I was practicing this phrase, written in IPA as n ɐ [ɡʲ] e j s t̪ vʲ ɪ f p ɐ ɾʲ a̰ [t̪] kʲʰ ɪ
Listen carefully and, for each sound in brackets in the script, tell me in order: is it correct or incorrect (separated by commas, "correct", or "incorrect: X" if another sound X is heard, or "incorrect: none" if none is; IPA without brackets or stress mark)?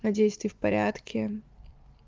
incorrect: dʲ, correct